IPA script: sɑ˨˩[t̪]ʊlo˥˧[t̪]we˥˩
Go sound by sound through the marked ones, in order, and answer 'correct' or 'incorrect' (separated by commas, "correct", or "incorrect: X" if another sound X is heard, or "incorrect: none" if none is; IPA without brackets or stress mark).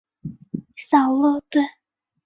incorrect: none, correct